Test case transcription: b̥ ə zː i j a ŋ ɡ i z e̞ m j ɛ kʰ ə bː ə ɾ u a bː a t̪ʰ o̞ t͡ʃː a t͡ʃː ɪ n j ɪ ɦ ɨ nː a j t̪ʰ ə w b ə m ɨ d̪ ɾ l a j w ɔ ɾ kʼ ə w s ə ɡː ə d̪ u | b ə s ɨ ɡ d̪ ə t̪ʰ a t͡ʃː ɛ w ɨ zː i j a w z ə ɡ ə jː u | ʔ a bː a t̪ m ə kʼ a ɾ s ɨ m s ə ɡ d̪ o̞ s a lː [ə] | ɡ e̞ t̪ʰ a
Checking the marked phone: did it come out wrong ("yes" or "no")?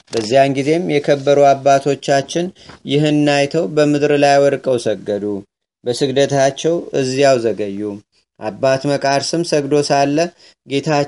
no